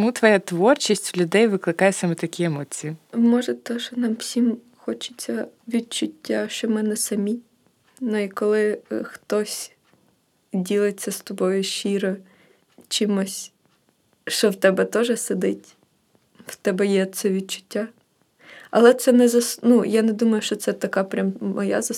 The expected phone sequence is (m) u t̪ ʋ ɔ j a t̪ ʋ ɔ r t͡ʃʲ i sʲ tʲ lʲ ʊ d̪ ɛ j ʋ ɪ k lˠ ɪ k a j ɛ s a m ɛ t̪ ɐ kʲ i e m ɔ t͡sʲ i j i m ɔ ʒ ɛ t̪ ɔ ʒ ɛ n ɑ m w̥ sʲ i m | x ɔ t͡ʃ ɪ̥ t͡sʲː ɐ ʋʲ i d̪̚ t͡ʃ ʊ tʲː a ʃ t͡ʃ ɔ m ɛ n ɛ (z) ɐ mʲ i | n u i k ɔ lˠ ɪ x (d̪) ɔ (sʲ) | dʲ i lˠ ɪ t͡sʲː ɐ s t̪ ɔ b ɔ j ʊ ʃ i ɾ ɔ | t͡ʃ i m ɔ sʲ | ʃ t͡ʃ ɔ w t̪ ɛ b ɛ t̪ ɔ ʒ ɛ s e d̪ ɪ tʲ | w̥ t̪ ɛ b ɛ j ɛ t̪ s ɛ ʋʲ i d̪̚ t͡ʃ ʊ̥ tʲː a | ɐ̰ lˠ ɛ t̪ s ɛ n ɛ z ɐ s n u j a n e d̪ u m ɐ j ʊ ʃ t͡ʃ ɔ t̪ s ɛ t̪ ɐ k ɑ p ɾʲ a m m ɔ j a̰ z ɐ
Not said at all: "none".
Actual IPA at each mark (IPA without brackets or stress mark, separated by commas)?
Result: m, s, t̪, sʲ